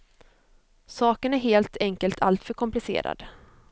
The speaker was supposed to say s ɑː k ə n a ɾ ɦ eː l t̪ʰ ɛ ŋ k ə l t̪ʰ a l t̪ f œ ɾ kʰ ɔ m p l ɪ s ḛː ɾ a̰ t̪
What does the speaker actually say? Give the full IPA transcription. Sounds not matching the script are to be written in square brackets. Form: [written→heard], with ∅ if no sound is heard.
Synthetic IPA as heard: s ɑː k ə n [a→æ] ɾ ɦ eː l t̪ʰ ɛ ŋ k ə l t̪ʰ a l t̪ f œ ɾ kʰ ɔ m p l ɪ s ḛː ɾ a̰ [t̪→d̪]